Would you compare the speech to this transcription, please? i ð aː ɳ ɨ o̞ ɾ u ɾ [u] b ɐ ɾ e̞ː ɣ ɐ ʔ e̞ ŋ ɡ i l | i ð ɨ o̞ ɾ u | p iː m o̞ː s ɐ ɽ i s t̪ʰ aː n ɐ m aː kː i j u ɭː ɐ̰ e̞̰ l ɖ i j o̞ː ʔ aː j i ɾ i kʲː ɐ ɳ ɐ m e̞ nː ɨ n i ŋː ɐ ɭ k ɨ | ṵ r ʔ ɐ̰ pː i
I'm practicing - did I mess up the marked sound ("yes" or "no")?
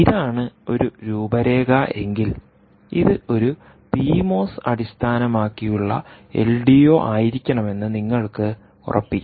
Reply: yes